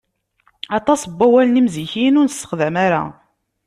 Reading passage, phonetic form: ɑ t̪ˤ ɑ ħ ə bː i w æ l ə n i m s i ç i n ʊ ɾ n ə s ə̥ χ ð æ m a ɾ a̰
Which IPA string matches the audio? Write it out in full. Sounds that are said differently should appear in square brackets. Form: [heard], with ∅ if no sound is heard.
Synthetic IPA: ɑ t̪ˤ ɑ [s] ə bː [æ] w æ l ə n i m [z] i ç i n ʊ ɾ n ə s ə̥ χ ð æ m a ɾ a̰